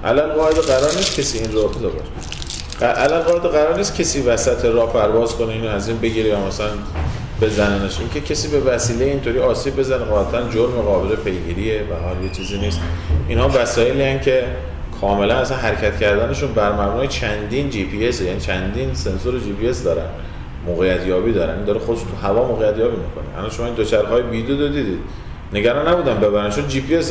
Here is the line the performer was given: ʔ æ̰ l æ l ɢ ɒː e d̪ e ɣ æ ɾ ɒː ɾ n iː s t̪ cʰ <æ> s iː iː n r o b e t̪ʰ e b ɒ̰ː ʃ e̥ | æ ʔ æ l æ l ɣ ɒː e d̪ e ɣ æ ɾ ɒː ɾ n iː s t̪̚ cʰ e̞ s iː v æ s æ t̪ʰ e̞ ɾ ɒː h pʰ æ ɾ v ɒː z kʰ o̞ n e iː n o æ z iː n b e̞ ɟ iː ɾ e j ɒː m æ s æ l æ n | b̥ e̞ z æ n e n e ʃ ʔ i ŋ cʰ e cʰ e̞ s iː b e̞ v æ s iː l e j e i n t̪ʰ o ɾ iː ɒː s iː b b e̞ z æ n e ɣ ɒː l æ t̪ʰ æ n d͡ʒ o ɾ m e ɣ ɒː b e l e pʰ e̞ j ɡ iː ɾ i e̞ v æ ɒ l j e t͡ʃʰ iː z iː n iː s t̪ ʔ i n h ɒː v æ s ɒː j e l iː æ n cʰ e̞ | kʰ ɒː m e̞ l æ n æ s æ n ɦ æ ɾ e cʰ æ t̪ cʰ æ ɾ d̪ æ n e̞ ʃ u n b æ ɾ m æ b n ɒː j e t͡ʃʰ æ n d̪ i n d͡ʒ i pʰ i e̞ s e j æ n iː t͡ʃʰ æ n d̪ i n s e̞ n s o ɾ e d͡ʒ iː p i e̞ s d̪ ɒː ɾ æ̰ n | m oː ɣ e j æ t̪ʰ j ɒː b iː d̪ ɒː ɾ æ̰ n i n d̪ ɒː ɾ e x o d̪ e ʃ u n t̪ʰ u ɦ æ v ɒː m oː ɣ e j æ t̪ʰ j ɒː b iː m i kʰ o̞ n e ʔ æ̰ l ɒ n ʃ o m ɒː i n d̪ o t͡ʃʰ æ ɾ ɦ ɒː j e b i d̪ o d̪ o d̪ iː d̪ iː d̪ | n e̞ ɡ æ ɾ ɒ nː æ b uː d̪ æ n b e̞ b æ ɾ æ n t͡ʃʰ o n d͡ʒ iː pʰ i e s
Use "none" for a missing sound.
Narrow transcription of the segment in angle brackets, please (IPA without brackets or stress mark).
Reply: e